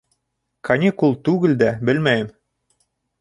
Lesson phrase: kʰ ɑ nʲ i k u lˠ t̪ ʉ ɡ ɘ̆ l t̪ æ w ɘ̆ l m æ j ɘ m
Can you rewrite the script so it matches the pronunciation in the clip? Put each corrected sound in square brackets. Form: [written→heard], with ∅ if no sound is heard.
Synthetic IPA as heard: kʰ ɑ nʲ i k u lˠ t̪ ʉ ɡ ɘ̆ l [t̪→d̪] æ [w→b] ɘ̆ l m æ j ɘ m